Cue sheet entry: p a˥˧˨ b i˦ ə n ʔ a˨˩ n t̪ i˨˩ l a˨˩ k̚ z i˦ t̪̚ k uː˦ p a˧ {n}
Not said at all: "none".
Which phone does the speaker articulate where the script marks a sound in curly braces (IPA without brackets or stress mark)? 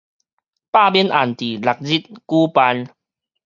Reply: n